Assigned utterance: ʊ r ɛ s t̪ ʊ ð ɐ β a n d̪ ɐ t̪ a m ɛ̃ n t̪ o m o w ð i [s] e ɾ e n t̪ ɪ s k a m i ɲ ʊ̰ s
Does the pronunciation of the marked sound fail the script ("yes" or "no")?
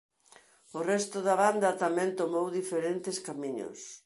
yes